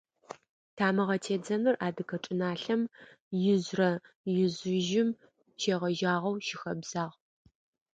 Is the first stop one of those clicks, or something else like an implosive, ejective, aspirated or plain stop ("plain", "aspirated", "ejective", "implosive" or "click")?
aspirated